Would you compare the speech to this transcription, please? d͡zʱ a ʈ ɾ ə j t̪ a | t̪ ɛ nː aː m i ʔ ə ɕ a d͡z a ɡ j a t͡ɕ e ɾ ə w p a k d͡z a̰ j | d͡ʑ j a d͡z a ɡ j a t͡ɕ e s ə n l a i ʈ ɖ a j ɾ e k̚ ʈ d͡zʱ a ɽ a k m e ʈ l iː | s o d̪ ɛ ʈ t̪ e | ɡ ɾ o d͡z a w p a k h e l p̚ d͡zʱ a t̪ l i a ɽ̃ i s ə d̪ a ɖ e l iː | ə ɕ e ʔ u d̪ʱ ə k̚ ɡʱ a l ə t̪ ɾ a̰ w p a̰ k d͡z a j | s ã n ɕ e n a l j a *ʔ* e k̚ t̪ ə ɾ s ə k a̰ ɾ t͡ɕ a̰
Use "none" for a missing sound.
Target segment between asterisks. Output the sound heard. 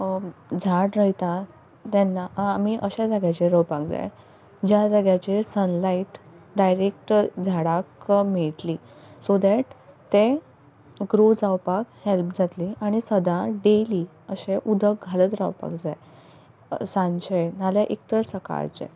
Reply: ʔ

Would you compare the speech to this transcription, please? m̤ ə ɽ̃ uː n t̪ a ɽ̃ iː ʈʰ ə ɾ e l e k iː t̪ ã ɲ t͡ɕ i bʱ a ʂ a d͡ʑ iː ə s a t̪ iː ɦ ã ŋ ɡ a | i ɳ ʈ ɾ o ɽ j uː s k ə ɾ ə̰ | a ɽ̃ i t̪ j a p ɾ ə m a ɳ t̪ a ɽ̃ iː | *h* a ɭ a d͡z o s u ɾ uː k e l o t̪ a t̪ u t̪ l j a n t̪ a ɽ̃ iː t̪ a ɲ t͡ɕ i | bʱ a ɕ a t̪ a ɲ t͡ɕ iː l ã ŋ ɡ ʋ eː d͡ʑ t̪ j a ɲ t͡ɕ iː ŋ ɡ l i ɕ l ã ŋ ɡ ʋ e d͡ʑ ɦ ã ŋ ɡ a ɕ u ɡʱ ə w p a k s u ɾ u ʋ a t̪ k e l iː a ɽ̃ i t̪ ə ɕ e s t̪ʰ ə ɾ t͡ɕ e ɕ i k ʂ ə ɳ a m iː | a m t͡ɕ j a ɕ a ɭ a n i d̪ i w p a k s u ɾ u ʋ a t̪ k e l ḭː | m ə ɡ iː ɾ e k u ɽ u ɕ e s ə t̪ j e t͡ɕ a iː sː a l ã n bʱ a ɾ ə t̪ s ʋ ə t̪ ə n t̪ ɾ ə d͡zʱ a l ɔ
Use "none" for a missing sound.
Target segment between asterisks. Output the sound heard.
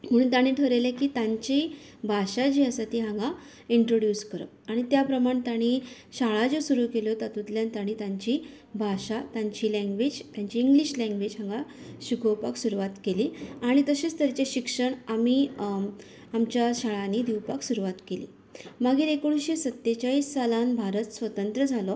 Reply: ɕ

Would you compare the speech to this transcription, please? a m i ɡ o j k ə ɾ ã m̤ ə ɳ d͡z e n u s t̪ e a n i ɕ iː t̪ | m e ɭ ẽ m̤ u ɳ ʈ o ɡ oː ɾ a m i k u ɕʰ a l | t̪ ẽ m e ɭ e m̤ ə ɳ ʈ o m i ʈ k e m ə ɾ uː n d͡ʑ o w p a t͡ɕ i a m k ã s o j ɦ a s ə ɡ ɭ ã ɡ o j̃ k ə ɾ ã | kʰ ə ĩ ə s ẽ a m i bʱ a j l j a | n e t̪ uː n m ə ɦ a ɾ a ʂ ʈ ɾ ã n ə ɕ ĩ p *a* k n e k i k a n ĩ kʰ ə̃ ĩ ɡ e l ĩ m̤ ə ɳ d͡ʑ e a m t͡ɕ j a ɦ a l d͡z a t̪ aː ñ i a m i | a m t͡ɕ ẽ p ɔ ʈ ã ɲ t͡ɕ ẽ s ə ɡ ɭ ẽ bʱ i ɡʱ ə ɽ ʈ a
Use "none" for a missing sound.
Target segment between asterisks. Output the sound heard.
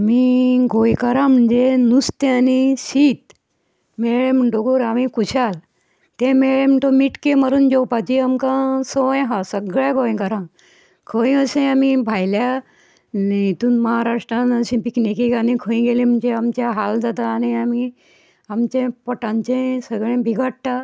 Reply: i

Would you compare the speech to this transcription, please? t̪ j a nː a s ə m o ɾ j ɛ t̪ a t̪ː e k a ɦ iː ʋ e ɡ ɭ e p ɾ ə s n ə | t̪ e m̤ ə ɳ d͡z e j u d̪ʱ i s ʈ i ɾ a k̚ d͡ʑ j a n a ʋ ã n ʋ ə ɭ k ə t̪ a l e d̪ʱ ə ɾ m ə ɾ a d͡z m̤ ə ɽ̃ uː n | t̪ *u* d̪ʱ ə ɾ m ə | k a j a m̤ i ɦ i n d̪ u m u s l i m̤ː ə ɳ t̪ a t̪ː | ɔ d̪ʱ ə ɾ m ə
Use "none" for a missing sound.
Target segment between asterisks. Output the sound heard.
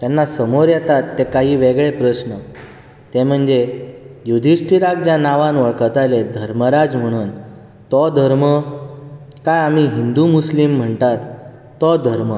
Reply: ɔ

